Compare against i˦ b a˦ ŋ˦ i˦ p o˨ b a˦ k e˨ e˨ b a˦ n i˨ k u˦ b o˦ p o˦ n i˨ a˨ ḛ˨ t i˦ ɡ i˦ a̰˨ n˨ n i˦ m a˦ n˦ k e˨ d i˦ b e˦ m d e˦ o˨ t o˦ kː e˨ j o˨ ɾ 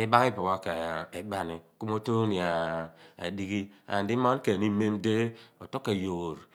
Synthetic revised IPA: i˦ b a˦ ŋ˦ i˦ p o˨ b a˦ k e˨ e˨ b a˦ n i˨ k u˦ m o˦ t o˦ n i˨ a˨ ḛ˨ d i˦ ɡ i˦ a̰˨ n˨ d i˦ m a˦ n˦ k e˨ n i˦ m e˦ m d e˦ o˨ t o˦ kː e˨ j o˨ ɾ